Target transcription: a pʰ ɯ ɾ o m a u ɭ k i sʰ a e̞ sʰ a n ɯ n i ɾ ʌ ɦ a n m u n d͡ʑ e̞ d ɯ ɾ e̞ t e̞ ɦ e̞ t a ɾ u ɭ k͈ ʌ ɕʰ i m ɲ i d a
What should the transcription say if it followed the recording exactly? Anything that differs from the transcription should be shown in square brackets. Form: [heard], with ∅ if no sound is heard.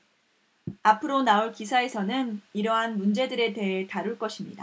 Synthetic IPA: a pʰ ɯ ɾ o [n] a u ɭ k i sʰ a e̞ sʰ [ʌ] n ɯ n i ɾ ʌ ɦ a n m u n d͡ʑ e̞ d ɯ ɾ e̞ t e̞ ɦ e̞ t a ɾ u ɭ k͈ ʌ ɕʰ i m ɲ i d a